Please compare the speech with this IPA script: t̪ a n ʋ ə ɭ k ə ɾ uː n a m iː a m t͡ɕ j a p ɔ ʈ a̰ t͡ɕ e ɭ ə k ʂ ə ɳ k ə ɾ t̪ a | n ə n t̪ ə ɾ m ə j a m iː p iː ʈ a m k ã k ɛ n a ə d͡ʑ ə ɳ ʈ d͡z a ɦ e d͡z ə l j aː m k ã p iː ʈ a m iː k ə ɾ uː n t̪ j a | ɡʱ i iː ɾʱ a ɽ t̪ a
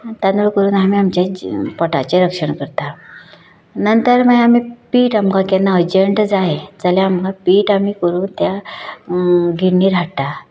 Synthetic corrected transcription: t̪ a n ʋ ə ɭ k ə ɾ uː n a m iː a m t͡ɕ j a p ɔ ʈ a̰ t͡ɕ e ɾ ə k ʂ ə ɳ k ə ɾ t̪ a | n ə n t̪ ə ɾ m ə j a m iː p iː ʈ a m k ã k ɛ n a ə d͡ʑ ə ɳ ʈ d͡z a ɦ e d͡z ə l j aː m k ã p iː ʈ a m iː k ə ɾ uː n t̪ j a | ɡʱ i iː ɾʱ a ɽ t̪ a